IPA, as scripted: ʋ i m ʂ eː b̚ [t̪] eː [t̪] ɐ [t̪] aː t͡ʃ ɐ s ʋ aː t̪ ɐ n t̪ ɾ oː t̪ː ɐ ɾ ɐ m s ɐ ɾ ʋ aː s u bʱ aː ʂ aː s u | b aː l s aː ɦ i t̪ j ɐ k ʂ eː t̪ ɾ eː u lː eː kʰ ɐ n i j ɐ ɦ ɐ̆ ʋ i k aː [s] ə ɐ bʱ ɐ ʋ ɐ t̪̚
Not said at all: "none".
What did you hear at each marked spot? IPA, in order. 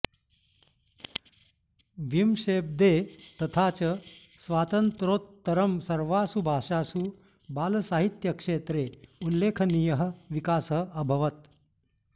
d̪, t̪, t̪ʰ, s

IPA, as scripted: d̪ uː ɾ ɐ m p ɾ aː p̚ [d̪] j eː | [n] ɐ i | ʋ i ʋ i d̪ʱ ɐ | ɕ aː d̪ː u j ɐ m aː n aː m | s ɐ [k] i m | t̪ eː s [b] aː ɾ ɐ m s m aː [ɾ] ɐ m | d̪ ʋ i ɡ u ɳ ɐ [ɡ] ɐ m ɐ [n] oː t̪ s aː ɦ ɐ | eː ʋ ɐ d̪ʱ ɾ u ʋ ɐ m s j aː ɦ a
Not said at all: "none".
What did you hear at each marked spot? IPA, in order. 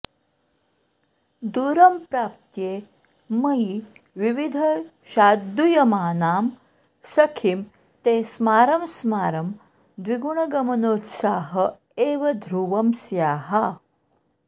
t̪, m, kʰ, m, ɾ, ɡ, n

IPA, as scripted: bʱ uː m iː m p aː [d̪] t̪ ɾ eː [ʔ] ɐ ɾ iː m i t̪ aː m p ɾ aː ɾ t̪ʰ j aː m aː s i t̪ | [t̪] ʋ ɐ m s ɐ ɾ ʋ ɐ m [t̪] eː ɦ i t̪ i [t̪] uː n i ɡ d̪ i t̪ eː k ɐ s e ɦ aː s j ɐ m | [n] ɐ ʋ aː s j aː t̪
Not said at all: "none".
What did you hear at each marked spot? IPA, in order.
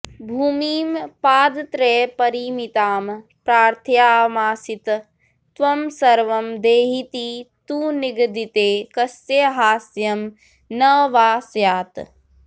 d̪, p, t̪, d̪, t̪, n

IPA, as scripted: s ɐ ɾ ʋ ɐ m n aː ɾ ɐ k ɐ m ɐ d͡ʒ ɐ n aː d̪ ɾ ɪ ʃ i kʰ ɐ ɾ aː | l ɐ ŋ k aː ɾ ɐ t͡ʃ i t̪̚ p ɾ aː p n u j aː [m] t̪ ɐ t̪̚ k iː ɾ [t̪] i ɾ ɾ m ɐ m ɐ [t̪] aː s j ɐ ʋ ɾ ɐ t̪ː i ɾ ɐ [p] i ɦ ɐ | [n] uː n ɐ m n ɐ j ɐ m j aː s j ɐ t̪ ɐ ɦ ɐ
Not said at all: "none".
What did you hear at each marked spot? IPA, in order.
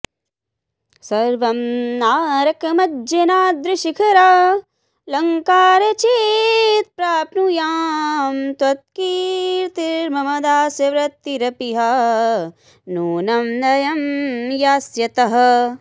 m, t̪, d̪, p, n

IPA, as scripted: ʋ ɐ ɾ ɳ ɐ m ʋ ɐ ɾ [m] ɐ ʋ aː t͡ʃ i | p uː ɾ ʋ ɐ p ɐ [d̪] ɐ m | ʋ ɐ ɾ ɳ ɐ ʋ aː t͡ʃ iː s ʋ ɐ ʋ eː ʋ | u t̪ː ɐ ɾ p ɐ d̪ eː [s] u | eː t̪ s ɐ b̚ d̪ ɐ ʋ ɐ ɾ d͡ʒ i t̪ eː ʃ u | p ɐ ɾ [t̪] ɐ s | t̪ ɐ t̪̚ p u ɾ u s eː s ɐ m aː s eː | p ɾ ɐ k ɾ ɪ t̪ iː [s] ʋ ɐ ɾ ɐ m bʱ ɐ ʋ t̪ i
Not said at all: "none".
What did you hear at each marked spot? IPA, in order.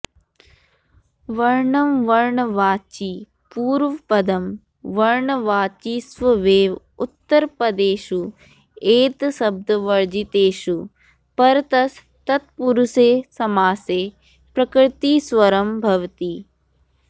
ɳ, d̪, ʃ, t̪, s

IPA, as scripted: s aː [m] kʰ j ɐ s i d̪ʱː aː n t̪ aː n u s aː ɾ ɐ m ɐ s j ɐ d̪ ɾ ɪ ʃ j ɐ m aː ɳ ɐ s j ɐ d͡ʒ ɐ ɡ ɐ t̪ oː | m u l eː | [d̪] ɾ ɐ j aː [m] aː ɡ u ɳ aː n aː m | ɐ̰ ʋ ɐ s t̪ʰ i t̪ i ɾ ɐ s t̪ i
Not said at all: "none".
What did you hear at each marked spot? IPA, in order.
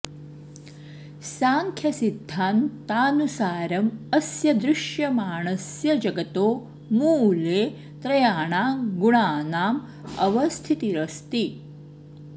ŋ, t̪, ɳ

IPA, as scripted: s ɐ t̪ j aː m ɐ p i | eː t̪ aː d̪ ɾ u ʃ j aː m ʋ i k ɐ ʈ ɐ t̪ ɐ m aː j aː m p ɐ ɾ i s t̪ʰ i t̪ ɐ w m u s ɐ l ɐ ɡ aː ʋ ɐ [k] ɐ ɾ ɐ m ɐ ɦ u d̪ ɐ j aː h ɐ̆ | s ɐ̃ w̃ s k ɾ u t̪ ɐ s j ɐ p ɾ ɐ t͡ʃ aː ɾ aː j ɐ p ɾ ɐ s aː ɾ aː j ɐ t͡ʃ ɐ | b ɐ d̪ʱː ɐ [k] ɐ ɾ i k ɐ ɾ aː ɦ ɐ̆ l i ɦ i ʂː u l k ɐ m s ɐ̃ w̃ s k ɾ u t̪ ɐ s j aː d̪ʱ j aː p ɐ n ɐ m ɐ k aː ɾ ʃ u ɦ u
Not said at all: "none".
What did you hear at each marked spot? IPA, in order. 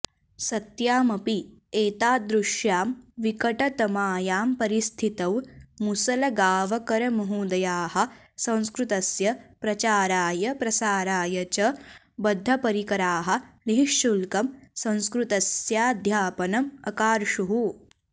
k, p

